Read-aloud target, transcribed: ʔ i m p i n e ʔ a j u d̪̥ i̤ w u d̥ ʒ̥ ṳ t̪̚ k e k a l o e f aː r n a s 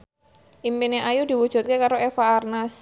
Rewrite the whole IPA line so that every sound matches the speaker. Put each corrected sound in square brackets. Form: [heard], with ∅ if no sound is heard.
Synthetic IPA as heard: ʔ i m p i n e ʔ a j u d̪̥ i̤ w u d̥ ʒ̥ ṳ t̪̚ k e k a [ɾ] o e f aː r n a s